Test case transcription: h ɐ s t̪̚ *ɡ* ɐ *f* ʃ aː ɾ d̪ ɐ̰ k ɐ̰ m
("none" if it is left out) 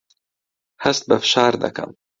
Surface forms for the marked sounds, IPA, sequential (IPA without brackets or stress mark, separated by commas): b, f